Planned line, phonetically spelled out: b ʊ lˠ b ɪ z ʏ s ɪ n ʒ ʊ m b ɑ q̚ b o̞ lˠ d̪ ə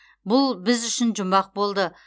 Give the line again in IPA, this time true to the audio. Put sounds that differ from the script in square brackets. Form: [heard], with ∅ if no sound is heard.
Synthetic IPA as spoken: b ʊ lˠ b ɪ z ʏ [ʃ] ɪ n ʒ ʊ m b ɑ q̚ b o̞ lˠ d̪ ə